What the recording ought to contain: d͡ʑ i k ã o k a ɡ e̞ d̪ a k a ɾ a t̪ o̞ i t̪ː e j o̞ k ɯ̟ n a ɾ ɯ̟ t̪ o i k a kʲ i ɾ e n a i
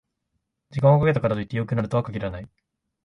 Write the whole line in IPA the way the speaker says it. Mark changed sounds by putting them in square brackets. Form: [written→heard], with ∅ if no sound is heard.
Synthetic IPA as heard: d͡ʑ i k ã o k a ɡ e̞ [d̪→t̪] a k a ɾ a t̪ o̞ i t̪ː e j o̞ k ɯ̟ n a ɾ ɯ̟ t̪ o [i→a] k a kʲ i ɾ [e→a] n a i